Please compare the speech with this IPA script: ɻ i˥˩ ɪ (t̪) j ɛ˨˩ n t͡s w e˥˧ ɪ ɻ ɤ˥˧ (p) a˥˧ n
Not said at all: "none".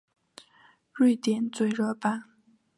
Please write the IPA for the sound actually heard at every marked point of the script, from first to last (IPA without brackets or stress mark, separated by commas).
t̪, p